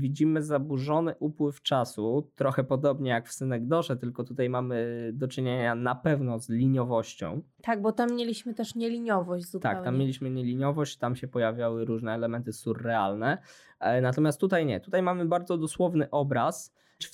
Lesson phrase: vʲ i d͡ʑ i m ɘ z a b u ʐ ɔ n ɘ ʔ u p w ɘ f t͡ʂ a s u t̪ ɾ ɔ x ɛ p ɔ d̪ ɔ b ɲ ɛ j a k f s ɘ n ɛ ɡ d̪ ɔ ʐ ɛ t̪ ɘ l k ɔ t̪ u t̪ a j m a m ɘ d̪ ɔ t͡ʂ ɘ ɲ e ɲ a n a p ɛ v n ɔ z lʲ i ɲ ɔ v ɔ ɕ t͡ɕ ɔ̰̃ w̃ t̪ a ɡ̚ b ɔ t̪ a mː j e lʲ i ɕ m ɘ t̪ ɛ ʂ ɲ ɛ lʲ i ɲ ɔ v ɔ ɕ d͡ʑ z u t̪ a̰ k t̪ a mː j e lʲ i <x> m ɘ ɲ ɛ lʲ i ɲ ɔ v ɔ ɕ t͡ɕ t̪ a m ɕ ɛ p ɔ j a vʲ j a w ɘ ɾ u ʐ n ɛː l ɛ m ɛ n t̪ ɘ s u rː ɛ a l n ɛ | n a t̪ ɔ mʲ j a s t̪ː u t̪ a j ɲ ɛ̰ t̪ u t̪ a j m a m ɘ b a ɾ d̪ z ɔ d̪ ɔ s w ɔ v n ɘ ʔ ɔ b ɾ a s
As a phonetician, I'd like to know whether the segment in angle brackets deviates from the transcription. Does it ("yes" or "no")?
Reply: yes